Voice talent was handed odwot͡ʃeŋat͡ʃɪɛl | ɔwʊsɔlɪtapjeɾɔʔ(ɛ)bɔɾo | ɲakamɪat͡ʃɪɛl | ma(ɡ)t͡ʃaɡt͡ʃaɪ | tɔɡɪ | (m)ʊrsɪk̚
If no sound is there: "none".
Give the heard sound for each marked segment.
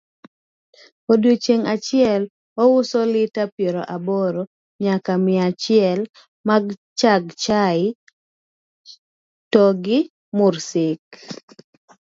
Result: a, ɡ, m

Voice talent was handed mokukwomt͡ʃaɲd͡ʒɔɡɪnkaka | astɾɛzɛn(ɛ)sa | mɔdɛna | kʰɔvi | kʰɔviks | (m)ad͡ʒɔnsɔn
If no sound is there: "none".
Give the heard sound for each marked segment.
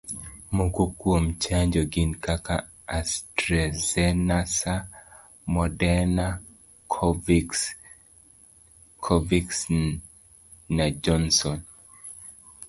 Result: a, n

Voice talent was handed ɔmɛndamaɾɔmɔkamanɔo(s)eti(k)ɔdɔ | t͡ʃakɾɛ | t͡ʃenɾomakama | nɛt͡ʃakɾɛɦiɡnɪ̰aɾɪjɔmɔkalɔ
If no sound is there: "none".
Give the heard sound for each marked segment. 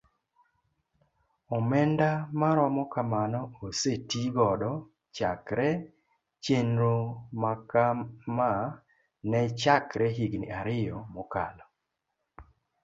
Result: s, ɡ

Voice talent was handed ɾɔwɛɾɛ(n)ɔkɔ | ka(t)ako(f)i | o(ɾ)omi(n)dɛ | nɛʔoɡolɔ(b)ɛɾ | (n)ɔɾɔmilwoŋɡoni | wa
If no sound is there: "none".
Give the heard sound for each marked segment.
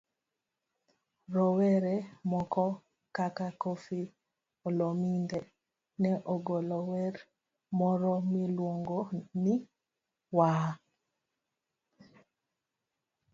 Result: m, k, f, l, n, w, m

